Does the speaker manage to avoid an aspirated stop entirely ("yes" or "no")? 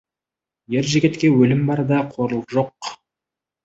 no